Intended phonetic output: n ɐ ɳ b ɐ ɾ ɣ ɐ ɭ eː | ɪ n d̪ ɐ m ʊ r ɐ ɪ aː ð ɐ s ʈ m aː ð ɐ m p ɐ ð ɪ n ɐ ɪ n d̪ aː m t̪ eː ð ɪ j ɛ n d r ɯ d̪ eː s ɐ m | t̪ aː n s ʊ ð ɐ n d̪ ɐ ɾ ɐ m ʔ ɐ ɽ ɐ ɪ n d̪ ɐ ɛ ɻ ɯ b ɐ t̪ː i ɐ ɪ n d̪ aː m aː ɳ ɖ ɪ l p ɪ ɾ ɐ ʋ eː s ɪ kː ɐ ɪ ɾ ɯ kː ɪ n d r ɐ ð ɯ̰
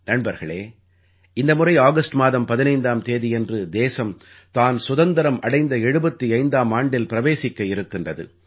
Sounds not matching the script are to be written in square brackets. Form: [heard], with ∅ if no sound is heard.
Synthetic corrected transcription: n ɐ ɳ b ɐ ɾ ɣ ɐ ɭ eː | ɪ n d̪ ɐ m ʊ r ɐ ɪ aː [ɣ] ɐ s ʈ m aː ð ɐ m p ɐ ð ɪ n ɐ ɪ n d̪ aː m t̪ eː ð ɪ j ɛ n d r ɯ d̪ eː s ɐ m | t̪ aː n s ʊ ð ɐ n d̪ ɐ ɾ ɐ m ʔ ɐ ɽ ɐ ɪ n d̪ ɐ ɛ ɻ ɯ b ɐ t̪ː i ɐ ɪ n d̪ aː m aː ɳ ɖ ɪ l p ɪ ɾ ɐ ʋ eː s ɪ kː ɐ ɪ ɾ ɯ kː ɪ n d r ɐ ð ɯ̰